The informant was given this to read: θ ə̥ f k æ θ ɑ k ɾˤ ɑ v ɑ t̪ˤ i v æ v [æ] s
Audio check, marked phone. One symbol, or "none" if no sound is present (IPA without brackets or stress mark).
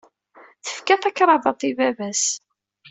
æ